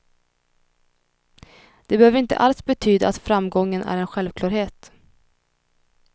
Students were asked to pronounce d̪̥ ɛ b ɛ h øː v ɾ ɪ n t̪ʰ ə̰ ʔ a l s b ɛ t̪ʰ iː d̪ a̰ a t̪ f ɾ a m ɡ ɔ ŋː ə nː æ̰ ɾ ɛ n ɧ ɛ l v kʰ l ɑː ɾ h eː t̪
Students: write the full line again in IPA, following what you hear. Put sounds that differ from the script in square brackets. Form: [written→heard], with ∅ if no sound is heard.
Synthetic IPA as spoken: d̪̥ ɛ b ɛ h øː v ɾ ɪ n [t̪ʰ→t̪] ə̰ ʔ a l s b ɛ t̪ʰ [iː→yː] d̪ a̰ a t̪ f ɾ a m ɡ ɔ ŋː ə [nː→n] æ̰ ɾ ɛ n ɧ ɛ l v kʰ l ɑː ɾ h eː t̪